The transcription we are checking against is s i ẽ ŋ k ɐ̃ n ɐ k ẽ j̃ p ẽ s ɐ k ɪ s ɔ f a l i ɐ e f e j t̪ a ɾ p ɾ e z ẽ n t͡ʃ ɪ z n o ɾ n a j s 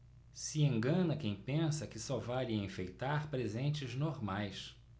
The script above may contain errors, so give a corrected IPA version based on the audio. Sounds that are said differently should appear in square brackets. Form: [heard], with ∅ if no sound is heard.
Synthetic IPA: s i ẽ ŋ [ɡ] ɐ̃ n ɐ k ẽ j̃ p ẽ s ɐ k ɪ s ɔ [v] a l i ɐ [ẽ] f e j t̪ a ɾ p ɾ e z ẽ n t͡ʃ ɪ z n o ɾ [m] a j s